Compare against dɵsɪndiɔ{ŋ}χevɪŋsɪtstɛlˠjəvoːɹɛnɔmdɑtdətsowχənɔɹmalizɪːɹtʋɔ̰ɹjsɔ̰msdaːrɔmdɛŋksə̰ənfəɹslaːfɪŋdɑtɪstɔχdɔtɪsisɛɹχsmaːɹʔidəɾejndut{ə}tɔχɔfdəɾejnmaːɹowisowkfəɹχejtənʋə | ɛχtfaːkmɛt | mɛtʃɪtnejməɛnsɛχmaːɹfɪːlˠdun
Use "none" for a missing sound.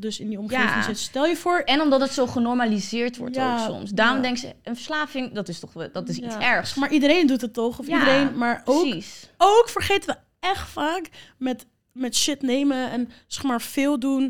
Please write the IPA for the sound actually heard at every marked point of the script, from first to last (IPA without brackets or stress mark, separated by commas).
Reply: m, ə